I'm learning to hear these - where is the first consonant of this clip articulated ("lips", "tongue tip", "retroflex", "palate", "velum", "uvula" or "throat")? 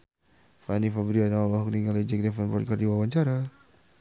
lips